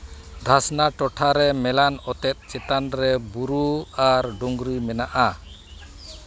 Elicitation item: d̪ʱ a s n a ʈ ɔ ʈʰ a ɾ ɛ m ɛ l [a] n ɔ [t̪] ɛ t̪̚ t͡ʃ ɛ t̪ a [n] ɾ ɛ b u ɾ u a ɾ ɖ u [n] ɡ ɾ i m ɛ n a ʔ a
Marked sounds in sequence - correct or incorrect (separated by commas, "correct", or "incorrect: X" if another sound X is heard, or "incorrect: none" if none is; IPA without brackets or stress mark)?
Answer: correct, correct, correct, incorrect: ŋ